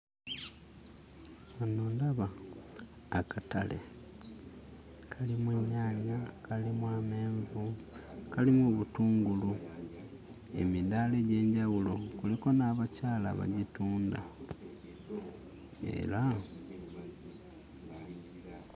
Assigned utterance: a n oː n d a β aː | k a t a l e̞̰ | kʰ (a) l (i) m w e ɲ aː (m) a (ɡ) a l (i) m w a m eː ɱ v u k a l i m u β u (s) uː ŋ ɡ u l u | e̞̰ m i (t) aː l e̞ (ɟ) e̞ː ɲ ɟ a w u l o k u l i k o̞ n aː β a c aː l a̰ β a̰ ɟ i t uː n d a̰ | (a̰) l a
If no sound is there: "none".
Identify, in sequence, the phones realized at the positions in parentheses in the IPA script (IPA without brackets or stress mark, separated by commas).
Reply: a, i, ɲ, k, i, t, d, ɟ, ḛ